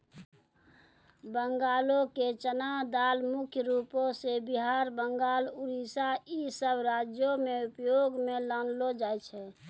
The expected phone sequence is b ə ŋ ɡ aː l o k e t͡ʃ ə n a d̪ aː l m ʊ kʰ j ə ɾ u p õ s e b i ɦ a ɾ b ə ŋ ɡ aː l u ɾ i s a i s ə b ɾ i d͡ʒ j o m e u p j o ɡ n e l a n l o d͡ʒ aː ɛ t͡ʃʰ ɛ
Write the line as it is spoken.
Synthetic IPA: b ə ŋ ɡ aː l o k e t͡ʃ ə n a d̪ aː l m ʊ kʰ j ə ɾ u p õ s e b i ɦ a ɾ b ə ŋ ɡ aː l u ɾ i s a i s ə b ɾ a d͡ʒ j o m e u p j o ɡ m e l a n l o d͡ʒ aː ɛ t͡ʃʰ ɛ